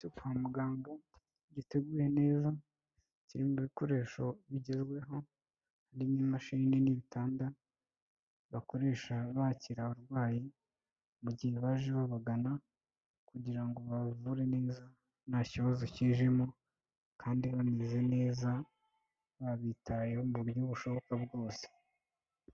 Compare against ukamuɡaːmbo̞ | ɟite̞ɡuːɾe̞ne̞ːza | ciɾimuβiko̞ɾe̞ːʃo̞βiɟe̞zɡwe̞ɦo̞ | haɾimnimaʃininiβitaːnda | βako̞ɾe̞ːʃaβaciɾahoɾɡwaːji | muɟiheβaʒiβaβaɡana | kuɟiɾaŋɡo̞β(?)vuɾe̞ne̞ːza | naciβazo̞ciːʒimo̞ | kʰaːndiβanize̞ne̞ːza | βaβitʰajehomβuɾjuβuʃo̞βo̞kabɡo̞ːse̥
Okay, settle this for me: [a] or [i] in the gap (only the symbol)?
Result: a